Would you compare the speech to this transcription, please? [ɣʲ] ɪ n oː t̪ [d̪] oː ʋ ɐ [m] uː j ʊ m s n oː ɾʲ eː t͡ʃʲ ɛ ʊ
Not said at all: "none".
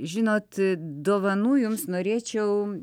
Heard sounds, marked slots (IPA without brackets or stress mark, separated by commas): ʒʲ, d̪, n